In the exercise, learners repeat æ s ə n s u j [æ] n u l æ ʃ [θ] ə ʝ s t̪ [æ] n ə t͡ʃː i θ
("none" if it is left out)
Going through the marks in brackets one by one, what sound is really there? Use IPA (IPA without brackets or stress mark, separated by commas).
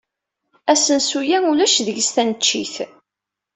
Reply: æ, ð, æ